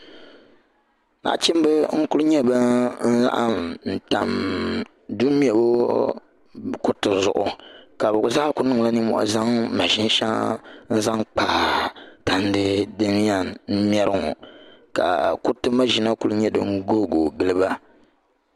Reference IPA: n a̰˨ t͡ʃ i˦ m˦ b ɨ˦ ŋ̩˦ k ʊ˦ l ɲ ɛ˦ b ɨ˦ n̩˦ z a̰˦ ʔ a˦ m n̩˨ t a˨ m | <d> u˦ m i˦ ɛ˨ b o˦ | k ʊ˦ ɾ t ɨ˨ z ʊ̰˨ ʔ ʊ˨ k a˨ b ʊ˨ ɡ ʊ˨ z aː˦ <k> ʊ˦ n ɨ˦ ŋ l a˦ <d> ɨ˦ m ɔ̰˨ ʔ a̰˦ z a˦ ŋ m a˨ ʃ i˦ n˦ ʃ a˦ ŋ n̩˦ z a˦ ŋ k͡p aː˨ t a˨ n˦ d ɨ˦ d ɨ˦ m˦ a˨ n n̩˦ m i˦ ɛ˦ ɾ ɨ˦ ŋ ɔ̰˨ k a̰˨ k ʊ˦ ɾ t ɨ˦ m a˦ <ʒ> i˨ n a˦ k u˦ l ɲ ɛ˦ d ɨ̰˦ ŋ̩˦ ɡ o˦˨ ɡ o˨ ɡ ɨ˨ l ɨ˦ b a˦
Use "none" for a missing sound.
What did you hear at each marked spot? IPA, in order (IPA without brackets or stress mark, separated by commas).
d, k, n, ʒ